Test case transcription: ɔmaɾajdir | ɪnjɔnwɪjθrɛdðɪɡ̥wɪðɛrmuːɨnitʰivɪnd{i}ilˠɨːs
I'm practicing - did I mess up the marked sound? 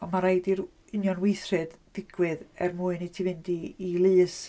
no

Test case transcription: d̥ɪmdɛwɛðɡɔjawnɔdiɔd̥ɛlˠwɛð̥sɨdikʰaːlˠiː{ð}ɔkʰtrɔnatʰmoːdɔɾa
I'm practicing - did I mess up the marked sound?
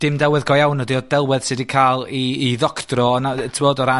no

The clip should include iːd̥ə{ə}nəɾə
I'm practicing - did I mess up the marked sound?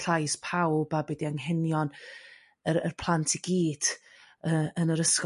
no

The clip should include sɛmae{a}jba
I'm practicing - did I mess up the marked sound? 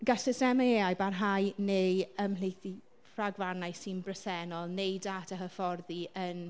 no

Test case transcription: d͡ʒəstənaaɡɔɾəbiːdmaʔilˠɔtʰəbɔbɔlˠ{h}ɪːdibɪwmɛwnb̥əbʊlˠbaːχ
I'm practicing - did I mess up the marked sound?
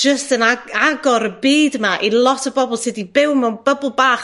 yes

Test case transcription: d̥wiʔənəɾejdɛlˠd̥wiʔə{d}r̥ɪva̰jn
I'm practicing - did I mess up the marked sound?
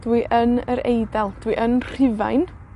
yes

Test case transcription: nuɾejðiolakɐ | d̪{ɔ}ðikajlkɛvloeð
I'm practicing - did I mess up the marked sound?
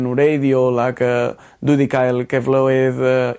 yes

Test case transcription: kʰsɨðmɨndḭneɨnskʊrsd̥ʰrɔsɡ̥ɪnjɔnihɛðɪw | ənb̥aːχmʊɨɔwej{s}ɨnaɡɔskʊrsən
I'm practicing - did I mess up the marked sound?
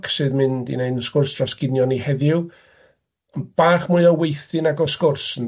yes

